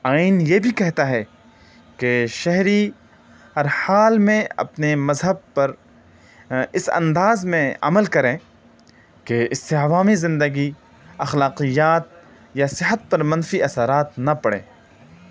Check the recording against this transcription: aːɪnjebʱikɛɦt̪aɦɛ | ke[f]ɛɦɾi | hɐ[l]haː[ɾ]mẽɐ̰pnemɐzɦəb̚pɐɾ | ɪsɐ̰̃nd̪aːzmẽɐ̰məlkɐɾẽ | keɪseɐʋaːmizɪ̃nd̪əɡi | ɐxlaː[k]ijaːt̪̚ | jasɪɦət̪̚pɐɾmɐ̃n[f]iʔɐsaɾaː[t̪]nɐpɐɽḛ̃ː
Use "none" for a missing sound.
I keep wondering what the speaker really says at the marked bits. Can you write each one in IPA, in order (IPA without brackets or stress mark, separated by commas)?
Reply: ʃ, ɾ, l, q, f, t̪